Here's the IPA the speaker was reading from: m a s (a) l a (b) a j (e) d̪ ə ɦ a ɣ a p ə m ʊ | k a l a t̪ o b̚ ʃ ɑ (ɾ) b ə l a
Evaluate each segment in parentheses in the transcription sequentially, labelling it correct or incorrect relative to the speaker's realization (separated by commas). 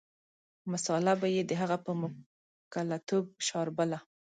incorrect, correct, correct, correct